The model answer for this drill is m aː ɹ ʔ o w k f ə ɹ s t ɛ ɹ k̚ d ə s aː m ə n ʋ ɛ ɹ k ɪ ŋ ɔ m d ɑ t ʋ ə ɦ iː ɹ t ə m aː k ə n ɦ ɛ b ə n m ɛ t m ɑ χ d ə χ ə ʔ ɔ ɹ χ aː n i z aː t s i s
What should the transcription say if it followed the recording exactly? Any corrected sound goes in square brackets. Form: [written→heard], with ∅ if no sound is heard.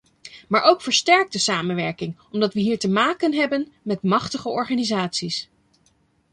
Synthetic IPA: m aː ɹ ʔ o w k f ə ɹ s t ɛ ɹ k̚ d ə s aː m ə n ʋ ɛ ɹ k ɪ ŋ ɔ m d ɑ t ʋ ə ɦ iː ɹ t ə m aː k ə n ɦ ɛ b ə n m ɛ t m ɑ χ [d→t] ə χ ə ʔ ɔ ɹ χ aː n i z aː t s i s